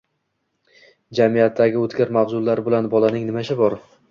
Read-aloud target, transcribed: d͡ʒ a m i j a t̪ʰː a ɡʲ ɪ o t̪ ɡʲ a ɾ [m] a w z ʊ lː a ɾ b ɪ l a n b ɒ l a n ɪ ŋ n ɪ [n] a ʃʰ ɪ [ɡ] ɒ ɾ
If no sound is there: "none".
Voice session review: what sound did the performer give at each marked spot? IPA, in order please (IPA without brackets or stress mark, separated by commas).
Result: m, m, b